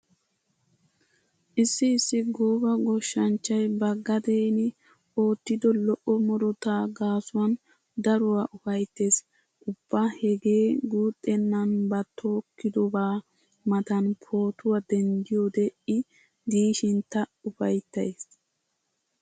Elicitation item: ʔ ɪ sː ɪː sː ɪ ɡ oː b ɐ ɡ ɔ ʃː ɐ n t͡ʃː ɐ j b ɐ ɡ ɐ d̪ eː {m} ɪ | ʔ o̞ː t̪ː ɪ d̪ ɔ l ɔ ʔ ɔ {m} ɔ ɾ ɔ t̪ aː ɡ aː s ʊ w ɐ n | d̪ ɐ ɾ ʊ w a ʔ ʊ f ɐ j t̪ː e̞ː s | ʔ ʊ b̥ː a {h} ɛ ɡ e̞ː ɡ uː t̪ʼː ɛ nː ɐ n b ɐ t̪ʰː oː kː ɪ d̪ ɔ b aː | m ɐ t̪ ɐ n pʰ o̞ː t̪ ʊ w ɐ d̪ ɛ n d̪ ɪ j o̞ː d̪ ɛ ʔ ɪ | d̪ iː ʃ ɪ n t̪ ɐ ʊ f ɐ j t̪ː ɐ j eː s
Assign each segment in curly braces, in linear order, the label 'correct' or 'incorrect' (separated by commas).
incorrect, correct, correct